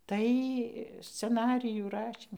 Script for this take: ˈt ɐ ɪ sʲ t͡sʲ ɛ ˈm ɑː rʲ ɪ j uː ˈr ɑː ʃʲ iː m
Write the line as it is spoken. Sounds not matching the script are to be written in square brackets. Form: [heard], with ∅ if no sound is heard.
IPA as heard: ˈt ɐ ɪ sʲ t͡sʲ ɛ [ˈn] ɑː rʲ ɪ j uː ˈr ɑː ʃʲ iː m